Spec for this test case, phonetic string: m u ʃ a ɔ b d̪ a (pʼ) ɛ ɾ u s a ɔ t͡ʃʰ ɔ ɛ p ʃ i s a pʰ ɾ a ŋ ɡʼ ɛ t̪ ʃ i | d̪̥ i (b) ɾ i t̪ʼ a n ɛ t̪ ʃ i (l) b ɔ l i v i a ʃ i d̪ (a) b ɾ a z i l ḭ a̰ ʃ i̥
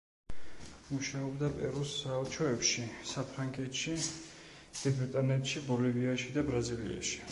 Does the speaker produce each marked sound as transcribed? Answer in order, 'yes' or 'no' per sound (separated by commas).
yes, yes, no, yes